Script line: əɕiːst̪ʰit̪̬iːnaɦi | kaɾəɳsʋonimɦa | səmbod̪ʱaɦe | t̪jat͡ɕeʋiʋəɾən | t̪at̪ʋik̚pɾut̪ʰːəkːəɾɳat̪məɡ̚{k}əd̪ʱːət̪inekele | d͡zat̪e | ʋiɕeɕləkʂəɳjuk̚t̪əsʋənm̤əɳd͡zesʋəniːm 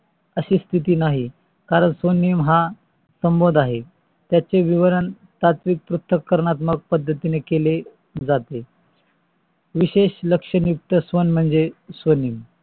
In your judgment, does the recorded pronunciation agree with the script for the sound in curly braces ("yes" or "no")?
no